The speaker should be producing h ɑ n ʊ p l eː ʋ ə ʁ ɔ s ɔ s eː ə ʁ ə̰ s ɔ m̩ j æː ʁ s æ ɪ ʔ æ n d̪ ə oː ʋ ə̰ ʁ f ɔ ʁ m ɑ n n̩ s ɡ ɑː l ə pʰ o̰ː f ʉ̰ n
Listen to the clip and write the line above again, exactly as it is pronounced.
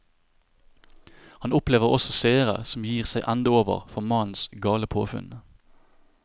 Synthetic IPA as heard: h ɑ n ʊ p l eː ʋ ə ʁ ɔ s ɔ s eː ə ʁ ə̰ s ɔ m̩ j iː ʁ s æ ɪ ʔ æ n d̪ ə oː ʋ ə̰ ʁ f ɔ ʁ m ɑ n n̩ s ɡ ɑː l ə pʰ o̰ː f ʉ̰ n